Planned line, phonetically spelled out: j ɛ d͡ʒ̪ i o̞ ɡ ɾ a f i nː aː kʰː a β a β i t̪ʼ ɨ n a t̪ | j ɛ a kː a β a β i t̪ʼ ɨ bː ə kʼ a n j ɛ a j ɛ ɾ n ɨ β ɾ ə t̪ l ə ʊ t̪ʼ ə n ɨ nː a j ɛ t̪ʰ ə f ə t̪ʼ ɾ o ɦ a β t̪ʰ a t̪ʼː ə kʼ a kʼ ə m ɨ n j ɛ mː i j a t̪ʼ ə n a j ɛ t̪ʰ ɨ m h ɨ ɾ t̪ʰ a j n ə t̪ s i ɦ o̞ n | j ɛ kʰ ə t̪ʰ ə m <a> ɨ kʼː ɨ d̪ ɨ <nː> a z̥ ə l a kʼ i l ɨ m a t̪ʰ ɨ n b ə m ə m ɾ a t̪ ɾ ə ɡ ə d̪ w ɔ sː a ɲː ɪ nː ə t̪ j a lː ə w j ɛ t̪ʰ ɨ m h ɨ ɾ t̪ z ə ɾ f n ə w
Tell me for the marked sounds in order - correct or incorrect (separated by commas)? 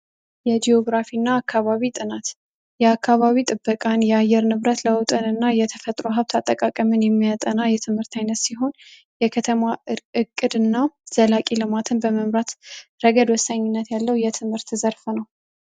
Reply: correct, correct